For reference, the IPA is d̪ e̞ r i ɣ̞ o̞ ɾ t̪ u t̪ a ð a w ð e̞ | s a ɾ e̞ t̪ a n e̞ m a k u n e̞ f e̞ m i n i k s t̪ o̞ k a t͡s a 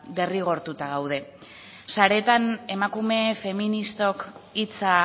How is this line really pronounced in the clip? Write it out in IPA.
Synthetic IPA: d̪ e̞ r i ɣ̞ o̞ ɾ t̪ u t̪ a ɣ a w ð e̞ | s a ɾ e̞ t̪ a n e̞ m a k u m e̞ f e̞ m i n i s t̪ o̞ k i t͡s a